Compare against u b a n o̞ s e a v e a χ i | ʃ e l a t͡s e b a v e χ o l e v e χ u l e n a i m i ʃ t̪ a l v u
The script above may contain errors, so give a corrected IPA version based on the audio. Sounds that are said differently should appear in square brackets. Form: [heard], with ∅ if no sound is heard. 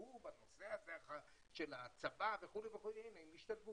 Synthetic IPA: u b a n o̞ s e a [z] e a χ [a] | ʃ e l a t͡s [a] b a v e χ [u] l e v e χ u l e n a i m i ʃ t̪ a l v u